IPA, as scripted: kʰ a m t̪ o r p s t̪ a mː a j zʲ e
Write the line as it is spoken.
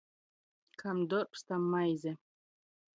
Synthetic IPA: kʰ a m d̪ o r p s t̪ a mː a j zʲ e